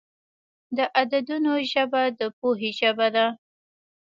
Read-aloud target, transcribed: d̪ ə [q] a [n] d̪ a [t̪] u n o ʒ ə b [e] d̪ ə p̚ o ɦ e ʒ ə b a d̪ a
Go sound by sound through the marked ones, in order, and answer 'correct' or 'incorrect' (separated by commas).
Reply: incorrect, incorrect, incorrect, incorrect